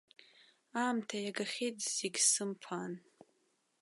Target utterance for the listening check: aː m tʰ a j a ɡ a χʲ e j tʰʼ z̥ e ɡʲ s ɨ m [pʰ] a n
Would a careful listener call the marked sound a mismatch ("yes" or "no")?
no